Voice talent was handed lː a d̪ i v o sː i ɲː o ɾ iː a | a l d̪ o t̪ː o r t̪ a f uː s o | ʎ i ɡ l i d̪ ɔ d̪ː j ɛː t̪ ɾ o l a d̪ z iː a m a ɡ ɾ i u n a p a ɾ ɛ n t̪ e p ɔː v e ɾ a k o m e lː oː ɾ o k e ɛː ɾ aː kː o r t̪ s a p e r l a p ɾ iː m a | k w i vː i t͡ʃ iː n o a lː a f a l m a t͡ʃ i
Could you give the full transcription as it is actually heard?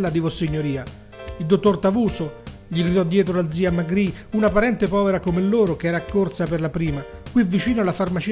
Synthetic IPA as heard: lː a d̪ i v o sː i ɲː o ɾ iː a | i l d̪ o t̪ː o r t̪ a v uː s o | ʎ i ɡ ɾ i d̪ ɔ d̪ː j ɛː t̪ ɾ o l a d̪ z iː a m a ɡ ɾ i u n a p a ɾ ɛ n t̪ e p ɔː v e ɾ a k o m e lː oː ɾ o k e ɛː ɾ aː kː o r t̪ s a p e r l a p ɾ iː m a | k w i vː i t͡ʃ iː n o a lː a f a r m a t͡ʃ i